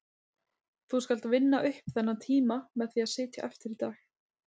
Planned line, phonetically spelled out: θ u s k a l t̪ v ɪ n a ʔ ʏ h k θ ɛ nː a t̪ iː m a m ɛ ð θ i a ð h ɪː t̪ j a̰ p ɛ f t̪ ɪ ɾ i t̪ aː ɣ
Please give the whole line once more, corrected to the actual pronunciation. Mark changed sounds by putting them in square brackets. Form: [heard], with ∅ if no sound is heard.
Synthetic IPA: θ u s k a l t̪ v ɪ [nː] a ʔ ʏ h [p] θ ɛ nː a [t̪ʰ] iː m a m ɛ ð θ i a ð [s] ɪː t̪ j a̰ [ʔ] ɛ f t̪ ɪ ɾ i t̪ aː [x]